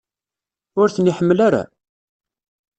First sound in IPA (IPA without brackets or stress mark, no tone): ʊ